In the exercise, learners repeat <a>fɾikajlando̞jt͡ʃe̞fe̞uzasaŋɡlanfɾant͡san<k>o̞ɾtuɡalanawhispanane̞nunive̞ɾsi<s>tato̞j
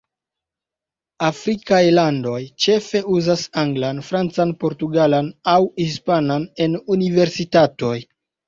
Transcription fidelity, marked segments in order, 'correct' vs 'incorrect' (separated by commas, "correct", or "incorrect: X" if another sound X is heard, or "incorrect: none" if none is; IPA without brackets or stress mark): correct, incorrect: p, incorrect: none